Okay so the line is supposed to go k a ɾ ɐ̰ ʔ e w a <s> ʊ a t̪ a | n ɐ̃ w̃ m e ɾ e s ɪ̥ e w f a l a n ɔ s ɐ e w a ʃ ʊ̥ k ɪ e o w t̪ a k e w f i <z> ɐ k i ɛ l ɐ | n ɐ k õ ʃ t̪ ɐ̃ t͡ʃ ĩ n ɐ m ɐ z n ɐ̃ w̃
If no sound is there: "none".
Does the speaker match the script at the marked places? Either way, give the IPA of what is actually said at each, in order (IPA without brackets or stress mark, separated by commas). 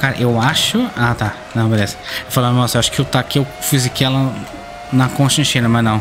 ʃ, z